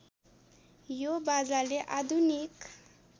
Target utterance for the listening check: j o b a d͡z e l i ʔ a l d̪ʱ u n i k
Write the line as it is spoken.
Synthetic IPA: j o b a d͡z a l e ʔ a d̪ʱ u n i k